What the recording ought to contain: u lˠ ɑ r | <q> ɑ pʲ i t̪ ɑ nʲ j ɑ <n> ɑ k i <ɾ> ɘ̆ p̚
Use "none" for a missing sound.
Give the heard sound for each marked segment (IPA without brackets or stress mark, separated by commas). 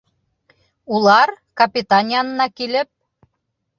k, nː, l